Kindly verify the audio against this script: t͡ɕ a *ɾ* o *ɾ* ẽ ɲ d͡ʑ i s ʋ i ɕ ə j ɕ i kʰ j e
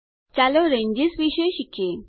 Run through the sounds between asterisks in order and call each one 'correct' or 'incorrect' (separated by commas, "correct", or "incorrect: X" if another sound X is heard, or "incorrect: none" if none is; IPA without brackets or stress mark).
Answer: incorrect: l, correct